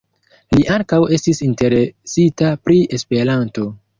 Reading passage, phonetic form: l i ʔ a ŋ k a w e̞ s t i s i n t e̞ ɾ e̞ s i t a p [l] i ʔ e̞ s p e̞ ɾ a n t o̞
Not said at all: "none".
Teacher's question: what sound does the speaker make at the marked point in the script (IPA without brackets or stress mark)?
ɾ